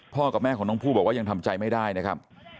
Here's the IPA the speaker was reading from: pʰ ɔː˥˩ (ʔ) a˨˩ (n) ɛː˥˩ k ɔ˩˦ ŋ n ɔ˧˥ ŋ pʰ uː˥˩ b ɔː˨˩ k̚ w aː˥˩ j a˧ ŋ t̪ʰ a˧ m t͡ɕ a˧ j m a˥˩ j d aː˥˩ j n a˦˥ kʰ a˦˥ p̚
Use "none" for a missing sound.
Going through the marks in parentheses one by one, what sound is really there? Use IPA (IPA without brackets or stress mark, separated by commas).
k, m